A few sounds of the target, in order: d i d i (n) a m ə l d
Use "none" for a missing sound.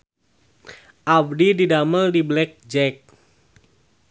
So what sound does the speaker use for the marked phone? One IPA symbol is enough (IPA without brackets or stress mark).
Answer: d